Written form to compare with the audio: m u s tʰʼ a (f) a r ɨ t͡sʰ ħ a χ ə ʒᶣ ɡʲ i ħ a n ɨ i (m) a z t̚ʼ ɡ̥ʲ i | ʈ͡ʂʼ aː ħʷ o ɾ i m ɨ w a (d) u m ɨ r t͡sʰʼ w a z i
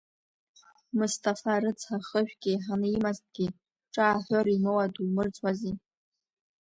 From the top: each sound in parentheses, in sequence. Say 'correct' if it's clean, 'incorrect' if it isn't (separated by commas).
correct, correct, correct